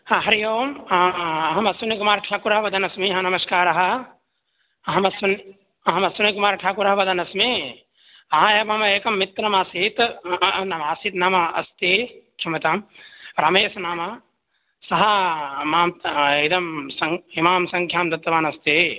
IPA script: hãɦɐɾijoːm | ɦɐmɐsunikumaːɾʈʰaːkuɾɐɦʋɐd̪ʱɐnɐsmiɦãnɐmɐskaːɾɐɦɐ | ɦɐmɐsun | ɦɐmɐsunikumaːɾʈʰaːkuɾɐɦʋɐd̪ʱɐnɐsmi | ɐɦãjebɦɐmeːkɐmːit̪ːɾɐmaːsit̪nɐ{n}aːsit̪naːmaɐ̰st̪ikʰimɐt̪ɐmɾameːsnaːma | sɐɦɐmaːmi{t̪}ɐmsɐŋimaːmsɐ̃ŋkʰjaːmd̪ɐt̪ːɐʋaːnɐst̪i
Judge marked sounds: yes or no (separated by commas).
no, no